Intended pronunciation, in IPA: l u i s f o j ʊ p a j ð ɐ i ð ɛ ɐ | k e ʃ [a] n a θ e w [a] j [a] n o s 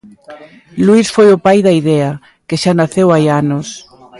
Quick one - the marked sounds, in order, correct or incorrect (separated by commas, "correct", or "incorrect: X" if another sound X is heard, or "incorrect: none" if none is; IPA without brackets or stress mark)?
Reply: correct, correct, correct